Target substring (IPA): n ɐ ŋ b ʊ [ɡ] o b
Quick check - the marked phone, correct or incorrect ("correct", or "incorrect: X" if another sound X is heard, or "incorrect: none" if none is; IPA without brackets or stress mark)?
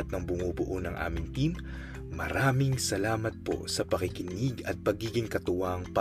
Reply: incorrect: ŋ